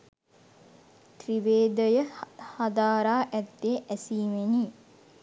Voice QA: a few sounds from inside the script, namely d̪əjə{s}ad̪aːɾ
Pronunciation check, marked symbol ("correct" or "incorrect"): incorrect